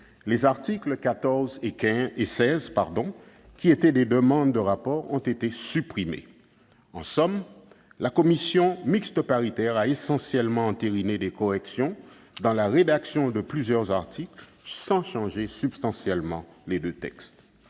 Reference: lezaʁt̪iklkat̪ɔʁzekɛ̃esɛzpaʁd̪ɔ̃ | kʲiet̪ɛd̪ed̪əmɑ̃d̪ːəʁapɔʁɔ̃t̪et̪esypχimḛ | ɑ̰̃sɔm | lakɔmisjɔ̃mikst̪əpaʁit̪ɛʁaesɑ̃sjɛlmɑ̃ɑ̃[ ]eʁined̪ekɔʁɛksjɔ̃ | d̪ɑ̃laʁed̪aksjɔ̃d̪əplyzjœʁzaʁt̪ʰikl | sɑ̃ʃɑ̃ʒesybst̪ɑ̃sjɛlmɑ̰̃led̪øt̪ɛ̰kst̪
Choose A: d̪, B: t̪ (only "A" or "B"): B